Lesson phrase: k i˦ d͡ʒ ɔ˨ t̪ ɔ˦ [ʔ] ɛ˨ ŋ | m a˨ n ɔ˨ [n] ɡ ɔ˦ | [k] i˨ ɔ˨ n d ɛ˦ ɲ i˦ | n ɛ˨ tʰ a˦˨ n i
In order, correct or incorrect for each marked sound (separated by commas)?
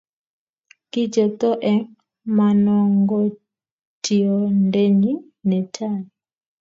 correct, incorrect, incorrect